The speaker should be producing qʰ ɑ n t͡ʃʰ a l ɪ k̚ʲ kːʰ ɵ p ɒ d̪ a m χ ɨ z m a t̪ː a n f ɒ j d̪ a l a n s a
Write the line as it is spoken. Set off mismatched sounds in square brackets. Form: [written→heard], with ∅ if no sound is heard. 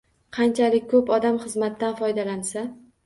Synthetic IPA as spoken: qʰ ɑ n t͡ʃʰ a l ɪ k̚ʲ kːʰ ɵ p ɒ d̪ a m χ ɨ z m a t̪ː a n f ɒ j d̪ a l a n s a